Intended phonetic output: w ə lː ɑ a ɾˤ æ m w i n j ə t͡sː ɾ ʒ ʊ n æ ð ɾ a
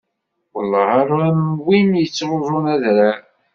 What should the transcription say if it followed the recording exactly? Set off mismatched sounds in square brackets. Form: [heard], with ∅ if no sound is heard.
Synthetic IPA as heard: w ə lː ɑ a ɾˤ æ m w i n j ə t͡sː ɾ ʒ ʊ n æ ð ɾ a